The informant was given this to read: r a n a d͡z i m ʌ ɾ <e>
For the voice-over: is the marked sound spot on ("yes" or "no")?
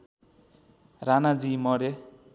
yes